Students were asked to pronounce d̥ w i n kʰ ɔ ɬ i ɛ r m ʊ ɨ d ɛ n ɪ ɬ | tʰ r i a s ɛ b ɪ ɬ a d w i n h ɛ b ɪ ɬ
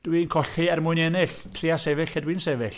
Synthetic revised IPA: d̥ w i n kʰ ɔ ɬ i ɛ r m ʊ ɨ n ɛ n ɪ ɬ | tʰ r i a s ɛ v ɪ ɬ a d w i n s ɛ v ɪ ɬ